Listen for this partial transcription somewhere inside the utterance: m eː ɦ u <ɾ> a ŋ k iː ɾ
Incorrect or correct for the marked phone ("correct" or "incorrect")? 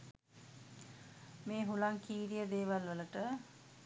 incorrect